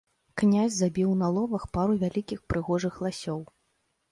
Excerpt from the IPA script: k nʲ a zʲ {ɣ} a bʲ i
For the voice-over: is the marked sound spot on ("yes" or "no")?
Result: no